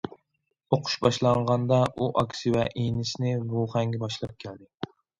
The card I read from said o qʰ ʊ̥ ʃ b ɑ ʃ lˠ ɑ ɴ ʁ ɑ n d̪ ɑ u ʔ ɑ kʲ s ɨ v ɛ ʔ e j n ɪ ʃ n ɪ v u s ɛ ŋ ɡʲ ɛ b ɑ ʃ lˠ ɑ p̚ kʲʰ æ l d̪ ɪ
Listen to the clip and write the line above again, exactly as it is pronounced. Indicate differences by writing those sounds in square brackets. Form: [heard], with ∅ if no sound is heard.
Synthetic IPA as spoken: o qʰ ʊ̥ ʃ b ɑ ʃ lˠ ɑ ɴ ʁ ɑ n d̪ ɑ u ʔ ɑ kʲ s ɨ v ɛ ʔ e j n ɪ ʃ n ɪ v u [χ] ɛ ŋ ɡʲ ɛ b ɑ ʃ lˠ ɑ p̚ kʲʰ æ l d̪ ɪ